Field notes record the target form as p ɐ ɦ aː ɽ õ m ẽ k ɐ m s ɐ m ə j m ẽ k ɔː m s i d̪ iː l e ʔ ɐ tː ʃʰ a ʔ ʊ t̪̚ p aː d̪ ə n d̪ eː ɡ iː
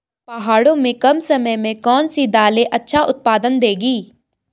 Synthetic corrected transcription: p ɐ ɦ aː ɽ õ m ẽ k ɐ m s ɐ m ə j m ẽ k ɔː n s i d̪ aː l e ʔ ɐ tː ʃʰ a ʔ ʊ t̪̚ p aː d̪ ə n d̪ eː ɡ iː